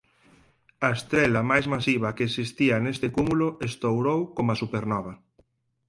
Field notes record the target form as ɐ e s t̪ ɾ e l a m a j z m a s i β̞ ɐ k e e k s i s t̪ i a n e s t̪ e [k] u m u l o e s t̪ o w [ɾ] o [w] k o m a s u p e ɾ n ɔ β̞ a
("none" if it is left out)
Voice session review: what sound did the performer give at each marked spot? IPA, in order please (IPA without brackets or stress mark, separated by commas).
k, ɾ, w